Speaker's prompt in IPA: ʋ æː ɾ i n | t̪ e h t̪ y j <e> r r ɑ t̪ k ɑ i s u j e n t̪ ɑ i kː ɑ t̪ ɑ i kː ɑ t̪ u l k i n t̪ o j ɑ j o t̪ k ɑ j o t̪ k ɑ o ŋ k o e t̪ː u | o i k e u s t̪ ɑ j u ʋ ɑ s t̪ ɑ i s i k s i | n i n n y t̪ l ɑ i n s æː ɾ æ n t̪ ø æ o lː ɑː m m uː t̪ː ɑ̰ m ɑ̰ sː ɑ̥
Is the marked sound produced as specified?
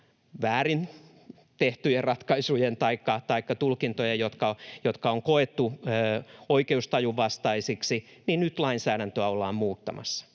yes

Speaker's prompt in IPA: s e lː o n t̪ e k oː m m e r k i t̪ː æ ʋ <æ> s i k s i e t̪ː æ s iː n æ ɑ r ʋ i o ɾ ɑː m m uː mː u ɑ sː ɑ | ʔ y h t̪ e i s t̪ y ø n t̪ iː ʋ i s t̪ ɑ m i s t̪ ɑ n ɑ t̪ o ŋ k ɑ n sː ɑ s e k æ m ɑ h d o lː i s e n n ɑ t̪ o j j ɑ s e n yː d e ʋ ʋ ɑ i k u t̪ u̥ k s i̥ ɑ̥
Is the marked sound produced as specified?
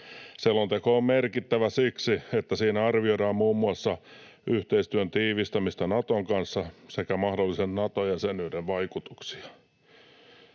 yes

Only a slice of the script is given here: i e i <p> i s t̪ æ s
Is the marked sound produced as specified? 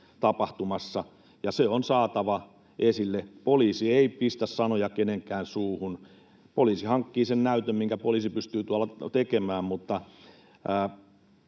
yes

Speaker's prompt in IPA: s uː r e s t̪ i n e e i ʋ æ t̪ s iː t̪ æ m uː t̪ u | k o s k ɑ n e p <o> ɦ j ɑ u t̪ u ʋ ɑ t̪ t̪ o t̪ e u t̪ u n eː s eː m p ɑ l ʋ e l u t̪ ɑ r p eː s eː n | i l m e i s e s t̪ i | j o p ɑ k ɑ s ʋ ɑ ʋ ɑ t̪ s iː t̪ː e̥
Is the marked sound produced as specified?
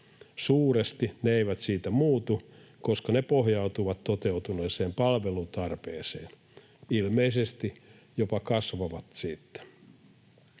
yes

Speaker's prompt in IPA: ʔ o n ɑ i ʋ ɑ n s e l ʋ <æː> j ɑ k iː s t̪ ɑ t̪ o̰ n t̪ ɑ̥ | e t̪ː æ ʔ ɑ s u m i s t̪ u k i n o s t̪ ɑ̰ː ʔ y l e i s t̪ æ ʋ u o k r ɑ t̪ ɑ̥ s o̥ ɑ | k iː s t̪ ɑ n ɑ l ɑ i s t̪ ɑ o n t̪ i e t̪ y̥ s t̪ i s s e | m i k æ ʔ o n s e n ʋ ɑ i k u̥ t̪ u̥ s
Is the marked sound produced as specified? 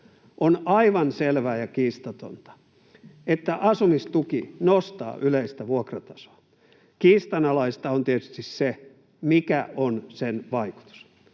yes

